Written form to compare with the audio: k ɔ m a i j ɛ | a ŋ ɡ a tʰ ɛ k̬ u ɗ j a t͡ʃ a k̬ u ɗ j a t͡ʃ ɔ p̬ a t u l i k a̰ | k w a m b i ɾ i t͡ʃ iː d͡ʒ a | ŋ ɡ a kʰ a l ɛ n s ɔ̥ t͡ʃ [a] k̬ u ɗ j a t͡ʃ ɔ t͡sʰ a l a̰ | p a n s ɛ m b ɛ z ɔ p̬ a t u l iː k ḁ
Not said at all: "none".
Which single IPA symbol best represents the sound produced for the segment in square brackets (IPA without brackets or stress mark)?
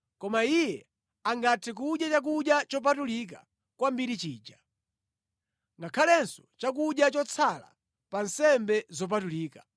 a